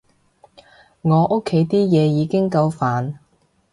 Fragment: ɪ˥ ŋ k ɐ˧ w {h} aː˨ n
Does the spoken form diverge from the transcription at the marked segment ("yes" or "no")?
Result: yes